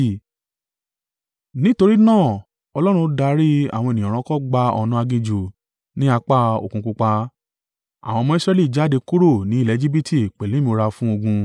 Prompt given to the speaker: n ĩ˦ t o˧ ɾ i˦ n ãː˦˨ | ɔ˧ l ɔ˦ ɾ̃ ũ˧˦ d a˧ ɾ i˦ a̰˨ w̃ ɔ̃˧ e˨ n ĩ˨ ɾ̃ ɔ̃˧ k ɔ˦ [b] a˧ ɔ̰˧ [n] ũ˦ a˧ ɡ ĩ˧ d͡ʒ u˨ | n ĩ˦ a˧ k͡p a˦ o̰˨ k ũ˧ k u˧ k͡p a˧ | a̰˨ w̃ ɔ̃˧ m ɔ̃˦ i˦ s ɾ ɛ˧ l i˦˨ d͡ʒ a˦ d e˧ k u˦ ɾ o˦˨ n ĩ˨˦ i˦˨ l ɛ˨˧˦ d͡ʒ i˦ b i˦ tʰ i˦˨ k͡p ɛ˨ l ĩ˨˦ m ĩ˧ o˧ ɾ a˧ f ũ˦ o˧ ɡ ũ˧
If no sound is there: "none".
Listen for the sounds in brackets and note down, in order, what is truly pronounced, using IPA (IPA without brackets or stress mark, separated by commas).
ɡ͡b, n